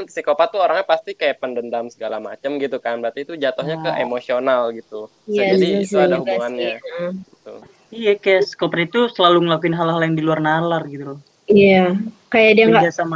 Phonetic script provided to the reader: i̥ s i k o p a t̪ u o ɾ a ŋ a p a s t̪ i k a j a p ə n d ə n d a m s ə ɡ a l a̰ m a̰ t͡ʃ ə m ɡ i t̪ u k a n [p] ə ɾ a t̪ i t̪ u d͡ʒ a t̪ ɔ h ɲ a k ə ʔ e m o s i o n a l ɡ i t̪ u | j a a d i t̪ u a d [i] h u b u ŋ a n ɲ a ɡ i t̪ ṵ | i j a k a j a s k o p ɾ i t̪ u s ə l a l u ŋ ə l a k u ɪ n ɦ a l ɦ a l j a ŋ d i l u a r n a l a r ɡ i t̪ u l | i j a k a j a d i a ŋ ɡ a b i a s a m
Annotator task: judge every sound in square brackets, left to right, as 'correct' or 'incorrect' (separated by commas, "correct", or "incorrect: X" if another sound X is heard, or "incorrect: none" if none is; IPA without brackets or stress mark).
incorrect: b, incorrect: a